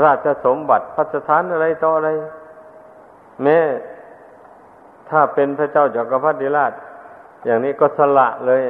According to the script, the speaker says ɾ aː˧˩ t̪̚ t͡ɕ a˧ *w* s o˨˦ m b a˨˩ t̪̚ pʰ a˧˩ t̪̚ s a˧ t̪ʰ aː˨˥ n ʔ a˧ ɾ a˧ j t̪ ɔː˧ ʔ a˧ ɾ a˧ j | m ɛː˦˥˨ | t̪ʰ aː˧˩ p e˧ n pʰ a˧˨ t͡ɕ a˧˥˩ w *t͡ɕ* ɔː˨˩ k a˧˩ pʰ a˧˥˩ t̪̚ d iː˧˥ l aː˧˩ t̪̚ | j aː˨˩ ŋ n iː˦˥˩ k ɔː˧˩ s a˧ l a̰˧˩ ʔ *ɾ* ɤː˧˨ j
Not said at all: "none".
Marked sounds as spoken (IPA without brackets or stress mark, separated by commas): none, t͡ɕ, l